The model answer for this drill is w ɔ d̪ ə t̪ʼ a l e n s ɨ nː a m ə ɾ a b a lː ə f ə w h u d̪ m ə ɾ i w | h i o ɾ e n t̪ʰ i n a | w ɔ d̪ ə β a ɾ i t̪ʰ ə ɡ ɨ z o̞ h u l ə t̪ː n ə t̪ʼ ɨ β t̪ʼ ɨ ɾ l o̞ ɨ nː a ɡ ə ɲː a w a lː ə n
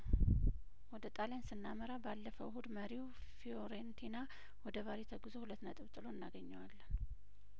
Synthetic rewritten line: w ɔ d̪ ə t̪ʼ a l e n s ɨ nː a m ə ɾ a b a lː ə f ə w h u d̪ m ə ɾ i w | f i o ɾ e n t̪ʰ i n a | w ɔ d̪ ə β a ɾ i t̪ʰ ə ɡ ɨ z o̞ h u l ə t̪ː n ə t̪ʼ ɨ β t̪ʼ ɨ l o̞ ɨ nː a ɡ ə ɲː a w a lː ə n

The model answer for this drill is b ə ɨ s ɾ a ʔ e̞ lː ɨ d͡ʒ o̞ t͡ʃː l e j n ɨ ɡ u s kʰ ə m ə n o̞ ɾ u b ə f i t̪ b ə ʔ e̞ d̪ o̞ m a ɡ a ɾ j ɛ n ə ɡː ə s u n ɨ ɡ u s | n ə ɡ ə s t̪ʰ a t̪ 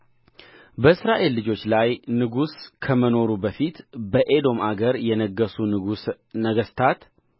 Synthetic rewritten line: b ə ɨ s ɾ a ʔ e̞ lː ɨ d͡ʒ o̞ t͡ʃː l a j n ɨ ɡ u s kʰ ə m ə n o̞ ɾ u b ə f i t̪ b ə ʔ e̞ d̪ o̞ m a ɡ ə ɾ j ɛ n ə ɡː ə s u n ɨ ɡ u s | n ə ɡ ə s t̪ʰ a t̪

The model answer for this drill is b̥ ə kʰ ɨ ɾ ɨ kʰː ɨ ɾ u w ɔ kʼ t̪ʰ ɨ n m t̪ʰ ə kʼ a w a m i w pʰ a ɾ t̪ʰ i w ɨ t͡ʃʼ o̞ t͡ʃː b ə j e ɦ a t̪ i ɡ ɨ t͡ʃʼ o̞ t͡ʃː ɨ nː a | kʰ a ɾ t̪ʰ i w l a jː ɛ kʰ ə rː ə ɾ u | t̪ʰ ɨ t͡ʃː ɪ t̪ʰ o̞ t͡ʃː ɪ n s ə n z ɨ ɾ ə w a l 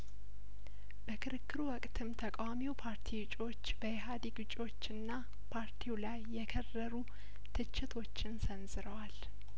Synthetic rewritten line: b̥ ə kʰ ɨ ɾ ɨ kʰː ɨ ɾ u w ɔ kʼ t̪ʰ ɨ m t̪ʰ ə kʼ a w a m i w pʰ a ɾ t̪ʰ i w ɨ t͡ʃʼ o̞ t͡ʃː b ə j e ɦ a d̪ i ɡ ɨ t͡ʃʼ o̞ t͡ʃː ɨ nː a | pʰ a ɾ t̪ʰ i w l a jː ɛ kʰ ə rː ə ɾ u | t̪ʰ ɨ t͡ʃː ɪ t̪ʰ o̞ t͡ʃː ɪ n s ə n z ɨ ɾ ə w a l

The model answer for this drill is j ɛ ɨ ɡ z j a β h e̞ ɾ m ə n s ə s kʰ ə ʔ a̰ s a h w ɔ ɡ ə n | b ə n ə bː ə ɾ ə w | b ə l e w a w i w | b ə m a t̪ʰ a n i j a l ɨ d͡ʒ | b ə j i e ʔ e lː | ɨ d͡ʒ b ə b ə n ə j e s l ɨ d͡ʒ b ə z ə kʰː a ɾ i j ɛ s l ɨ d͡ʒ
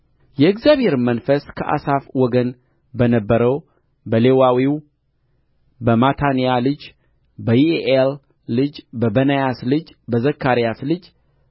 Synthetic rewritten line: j ɛ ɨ ɡ z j a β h e̞ ɾ m ə n f ə s kʰ ə ʔ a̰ s a f w ɔ ɡ ə n | b ə n ə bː ə ɾ ə w | b ə l e w a w i w | b ə m a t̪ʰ a n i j a l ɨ d͡ʒ | b ə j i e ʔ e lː | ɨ d͡ʒ b ə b ə n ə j a s l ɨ d͡ʒ b ə z ə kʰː a ɾ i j a s l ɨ d͡ʒ

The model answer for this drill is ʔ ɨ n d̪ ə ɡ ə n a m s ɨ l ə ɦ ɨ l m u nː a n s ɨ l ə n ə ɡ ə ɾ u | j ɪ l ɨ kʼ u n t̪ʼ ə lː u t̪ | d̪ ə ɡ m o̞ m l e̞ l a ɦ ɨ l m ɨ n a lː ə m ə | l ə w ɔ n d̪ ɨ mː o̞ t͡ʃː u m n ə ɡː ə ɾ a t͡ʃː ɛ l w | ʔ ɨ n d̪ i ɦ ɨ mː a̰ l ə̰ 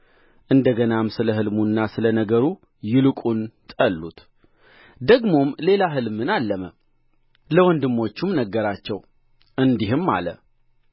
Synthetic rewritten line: ʔ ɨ n d̪ ə ɡ ə n a m s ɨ l ə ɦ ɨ l m u nː a s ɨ l ə n ə ɡ ə ɾ u | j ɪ l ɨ kʼ u n t̪ʼ ə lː u t̪ | d̪ ə ɡ m o̞ m l e̞ l a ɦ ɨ l m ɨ n a lː ə m ə | l ə w ɔ n d̪ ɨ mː o̞ t͡ʃː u m n ə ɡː ə ɾ a t͡ʃː ɛ w | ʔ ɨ n d̪ i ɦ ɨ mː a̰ l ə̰

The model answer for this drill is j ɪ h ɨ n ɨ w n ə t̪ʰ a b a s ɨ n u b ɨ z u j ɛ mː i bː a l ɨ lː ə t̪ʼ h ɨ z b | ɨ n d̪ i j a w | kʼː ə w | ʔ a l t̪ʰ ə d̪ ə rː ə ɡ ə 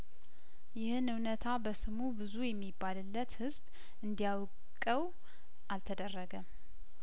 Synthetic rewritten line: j ɪ h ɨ n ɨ w n ə t̪ʰ a b ə s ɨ m u b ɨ z u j ɛ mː i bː a l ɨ lː ə t̪ h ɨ z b | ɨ n d̪ i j a w | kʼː ə w | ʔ a l t̪ʰ ə d̪ ə rː ə ɡ ə

